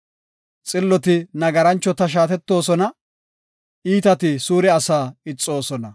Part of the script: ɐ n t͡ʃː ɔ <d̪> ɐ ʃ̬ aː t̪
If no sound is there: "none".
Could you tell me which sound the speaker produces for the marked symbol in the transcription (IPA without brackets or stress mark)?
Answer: t̪